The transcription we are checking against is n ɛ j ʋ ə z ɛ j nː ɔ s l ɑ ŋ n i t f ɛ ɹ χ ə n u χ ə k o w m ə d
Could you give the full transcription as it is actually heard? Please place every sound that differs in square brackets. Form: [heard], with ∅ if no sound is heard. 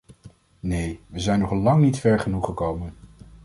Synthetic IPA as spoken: n [e] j ʋ ə z ɛ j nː ɔ [χ] l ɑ ŋ n i t f ɛ ɹ χ ə n u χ ə k o w m ə [n]